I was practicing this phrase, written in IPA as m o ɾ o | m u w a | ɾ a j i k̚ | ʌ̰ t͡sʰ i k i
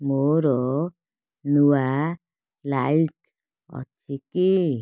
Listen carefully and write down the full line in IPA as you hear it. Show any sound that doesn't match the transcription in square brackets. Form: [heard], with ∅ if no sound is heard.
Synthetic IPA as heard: m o ɾ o | [n] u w a | [l] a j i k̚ | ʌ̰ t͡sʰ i k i